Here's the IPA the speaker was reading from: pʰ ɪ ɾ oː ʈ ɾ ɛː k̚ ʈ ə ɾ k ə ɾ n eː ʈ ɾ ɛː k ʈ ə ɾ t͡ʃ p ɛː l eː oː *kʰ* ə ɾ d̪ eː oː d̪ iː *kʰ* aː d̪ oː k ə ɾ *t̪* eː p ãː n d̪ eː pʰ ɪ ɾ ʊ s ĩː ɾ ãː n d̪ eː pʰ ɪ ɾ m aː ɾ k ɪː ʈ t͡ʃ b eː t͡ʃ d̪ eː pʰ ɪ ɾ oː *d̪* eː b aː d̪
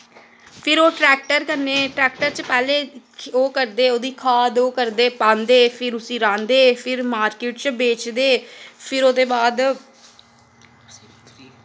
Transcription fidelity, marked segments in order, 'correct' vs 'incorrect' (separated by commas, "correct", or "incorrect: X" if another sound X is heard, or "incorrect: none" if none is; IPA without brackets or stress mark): incorrect: k, correct, incorrect: d̪, correct